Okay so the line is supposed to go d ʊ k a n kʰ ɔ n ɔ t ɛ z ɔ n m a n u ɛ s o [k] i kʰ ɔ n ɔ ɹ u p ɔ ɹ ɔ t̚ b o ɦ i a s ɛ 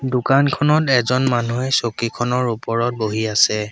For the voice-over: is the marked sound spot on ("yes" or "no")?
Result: yes